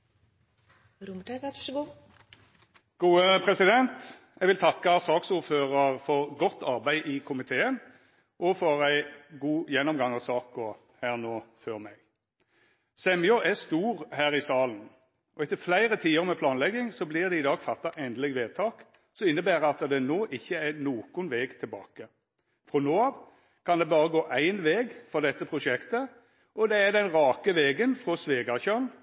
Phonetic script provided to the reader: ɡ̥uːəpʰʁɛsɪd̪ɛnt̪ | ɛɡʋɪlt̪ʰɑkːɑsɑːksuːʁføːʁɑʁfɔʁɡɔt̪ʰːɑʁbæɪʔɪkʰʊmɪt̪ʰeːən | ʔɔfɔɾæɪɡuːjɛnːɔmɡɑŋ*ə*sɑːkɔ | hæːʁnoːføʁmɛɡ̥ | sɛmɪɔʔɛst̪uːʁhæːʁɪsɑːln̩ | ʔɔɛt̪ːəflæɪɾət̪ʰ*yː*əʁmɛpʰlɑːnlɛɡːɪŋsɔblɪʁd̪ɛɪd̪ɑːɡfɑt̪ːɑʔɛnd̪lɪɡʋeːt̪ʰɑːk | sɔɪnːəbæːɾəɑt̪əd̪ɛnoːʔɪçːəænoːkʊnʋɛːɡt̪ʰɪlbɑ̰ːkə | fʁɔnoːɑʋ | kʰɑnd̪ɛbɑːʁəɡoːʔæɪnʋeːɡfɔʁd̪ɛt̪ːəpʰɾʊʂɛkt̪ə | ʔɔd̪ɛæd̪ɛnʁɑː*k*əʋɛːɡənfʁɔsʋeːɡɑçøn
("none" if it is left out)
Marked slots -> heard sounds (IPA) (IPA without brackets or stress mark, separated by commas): ɑ, iː, k